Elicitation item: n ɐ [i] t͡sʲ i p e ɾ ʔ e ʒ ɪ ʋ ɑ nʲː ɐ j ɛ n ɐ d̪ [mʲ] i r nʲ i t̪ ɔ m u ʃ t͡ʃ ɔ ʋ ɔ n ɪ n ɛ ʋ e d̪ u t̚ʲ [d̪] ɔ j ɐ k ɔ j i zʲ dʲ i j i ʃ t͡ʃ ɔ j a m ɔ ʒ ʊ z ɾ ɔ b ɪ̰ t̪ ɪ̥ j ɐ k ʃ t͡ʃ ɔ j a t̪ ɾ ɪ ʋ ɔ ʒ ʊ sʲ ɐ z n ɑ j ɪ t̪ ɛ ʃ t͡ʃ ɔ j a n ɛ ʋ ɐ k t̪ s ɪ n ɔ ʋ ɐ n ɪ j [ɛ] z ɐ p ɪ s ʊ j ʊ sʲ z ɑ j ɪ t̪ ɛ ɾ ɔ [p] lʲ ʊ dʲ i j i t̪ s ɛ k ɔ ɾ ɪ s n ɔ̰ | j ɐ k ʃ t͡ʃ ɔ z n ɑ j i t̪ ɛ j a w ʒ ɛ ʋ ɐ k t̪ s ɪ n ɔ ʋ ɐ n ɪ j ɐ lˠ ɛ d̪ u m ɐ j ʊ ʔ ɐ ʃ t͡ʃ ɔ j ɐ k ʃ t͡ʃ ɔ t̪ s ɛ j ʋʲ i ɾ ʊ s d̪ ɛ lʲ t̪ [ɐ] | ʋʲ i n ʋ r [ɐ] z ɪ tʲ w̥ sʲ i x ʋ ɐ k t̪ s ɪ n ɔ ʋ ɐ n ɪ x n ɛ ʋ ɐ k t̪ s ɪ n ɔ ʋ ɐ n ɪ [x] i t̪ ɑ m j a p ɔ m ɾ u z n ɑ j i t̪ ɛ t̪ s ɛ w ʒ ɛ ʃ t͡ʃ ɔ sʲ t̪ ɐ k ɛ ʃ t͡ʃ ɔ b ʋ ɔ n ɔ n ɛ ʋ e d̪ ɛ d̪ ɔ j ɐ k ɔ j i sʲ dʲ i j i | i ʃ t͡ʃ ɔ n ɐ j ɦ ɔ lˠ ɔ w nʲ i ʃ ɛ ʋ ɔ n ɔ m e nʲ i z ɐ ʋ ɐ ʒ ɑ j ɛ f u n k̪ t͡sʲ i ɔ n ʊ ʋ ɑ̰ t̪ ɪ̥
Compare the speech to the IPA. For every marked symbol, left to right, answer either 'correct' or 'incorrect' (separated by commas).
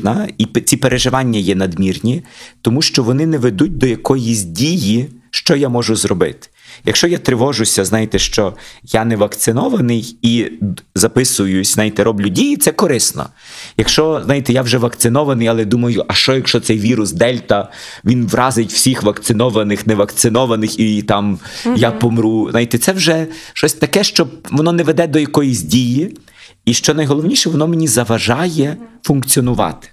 correct, correct, correct, incorrect, incorrect, correct, incorrect, correct